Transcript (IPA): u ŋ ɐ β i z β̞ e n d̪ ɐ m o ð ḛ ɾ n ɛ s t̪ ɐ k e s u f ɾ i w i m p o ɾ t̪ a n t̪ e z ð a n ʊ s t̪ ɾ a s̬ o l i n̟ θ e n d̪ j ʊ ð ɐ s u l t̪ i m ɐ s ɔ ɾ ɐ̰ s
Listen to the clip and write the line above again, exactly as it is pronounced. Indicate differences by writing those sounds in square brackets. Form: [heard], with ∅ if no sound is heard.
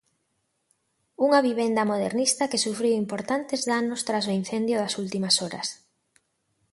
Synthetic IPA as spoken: u ŋ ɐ β i [∅] β̞ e n d̪ ɐ m o ð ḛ ɾ n [i] s t̪ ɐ k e s u f ɾ i w i m p o ɾ t̪ a n t̪ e z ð a n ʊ s t̪ ɾ a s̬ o [∅] i n̟ θ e n d̪ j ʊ ð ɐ s u l t̪ i m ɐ s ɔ ɾ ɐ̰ s